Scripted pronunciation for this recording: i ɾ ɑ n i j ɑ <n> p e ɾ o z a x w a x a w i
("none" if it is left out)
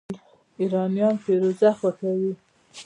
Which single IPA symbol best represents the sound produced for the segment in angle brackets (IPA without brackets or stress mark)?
n